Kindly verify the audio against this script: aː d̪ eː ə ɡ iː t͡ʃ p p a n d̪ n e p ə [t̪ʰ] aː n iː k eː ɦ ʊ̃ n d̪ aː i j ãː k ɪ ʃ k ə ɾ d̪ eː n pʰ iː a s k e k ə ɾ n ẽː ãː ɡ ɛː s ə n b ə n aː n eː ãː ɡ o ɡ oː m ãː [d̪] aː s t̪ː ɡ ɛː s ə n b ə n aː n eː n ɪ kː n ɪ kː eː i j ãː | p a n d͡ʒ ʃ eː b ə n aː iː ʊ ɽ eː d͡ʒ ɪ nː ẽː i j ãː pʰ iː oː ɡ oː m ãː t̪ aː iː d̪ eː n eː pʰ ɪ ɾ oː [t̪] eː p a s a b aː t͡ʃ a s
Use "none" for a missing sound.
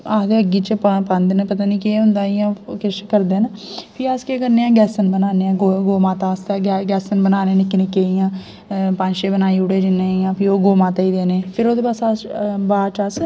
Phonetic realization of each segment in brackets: t̪, t̪, d̪

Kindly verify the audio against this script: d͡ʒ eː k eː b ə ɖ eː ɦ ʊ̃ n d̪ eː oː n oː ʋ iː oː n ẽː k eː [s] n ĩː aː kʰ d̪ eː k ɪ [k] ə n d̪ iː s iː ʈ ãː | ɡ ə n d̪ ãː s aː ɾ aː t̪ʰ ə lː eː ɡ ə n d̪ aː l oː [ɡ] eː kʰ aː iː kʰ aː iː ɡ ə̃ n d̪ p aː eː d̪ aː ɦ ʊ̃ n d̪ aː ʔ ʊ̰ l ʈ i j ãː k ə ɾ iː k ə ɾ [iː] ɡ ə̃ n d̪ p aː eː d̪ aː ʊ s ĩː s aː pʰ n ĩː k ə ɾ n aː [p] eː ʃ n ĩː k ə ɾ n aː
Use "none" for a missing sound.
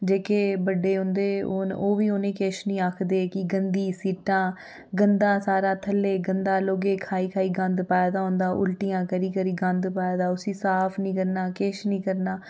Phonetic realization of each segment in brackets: ʃ, ɡ, ɡ, iː, k

